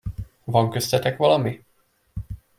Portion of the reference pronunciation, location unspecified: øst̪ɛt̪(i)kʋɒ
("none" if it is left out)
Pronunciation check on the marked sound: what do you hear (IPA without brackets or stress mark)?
ɛ